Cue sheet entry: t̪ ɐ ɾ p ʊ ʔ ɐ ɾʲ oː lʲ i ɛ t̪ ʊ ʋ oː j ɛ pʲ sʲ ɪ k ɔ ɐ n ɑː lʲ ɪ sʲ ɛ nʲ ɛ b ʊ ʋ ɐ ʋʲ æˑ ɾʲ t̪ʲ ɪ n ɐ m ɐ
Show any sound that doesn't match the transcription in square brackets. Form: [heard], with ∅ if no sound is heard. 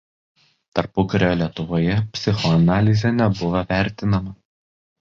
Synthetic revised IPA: t̪ ɐ ɾ p ʊ [k] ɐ ɾʲ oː lʲ i ɛ t̪ ʊ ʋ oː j ɛ pʲ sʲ ɪ [x] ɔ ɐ n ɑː lʲ ɪ [zʲ] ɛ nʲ ɛ b ʊ ʋ ɐ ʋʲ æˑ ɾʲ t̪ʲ ɪ n ɐ m ɐ